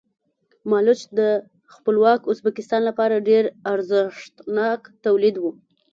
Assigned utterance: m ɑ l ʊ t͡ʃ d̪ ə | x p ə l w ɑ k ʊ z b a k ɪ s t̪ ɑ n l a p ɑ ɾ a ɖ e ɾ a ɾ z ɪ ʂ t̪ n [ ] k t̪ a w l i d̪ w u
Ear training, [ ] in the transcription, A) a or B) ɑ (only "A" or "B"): B